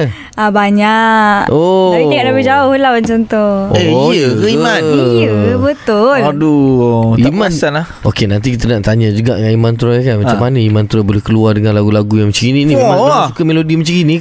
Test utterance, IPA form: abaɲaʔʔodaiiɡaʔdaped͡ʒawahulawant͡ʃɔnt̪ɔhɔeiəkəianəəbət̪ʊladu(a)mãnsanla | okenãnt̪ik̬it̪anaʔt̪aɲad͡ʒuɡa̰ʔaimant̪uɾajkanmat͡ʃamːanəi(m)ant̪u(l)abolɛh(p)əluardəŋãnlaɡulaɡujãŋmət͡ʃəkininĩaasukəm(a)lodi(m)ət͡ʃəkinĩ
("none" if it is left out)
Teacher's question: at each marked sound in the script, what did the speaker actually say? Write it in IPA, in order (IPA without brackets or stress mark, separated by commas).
i, m, ɾ, k, e, m